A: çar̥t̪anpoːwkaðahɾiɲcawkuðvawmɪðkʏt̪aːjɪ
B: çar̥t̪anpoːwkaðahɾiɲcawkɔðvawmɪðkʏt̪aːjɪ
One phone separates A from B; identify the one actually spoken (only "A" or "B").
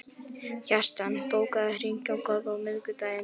B